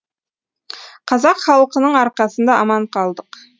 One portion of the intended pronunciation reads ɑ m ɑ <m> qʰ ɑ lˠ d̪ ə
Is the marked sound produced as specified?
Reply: no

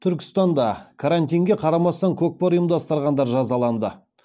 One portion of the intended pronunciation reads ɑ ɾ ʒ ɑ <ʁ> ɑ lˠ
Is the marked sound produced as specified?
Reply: no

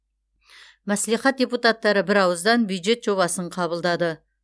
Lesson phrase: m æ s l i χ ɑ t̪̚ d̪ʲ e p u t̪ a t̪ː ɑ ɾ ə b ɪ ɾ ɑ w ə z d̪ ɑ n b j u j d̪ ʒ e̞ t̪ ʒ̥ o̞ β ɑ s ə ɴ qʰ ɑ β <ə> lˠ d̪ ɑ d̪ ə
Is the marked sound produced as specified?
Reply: yes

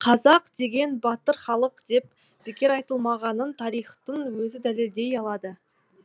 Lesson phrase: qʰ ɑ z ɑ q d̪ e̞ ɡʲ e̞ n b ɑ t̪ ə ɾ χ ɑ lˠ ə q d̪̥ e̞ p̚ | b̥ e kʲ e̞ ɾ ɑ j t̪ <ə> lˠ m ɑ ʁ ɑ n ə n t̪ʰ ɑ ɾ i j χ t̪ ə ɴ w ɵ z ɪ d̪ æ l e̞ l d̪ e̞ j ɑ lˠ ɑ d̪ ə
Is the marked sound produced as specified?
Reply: yes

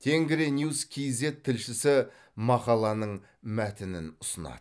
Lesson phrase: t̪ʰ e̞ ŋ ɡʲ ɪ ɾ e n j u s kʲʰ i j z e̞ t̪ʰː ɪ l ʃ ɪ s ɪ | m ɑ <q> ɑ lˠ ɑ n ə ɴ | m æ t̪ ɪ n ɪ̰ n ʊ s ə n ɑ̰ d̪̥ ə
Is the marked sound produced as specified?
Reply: yes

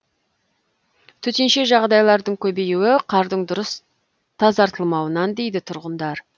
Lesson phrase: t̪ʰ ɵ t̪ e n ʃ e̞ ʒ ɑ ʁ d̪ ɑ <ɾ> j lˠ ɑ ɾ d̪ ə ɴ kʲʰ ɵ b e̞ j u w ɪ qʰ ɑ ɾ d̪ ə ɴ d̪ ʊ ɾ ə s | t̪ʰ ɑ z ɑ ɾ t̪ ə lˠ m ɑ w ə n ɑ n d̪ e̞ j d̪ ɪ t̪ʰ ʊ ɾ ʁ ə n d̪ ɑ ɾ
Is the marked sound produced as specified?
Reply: no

